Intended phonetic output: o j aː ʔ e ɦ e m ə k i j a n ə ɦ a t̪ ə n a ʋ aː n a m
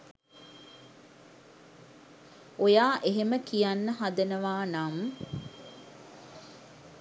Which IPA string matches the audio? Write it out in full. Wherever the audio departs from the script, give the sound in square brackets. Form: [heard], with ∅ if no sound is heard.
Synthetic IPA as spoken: o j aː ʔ e ɦ e m ə k i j a [nː] ə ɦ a [d̪] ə n [ə] ʋ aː n a m